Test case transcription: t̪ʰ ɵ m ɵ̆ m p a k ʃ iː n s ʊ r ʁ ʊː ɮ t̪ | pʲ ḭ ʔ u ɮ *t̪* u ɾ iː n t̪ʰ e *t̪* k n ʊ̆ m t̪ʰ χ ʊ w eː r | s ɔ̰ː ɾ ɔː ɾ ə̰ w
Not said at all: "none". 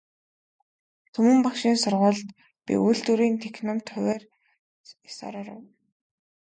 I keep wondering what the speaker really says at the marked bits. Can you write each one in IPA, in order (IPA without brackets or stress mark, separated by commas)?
t̪, none